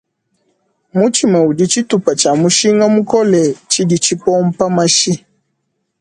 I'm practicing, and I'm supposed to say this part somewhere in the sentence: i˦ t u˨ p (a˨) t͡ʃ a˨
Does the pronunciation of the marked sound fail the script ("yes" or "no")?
no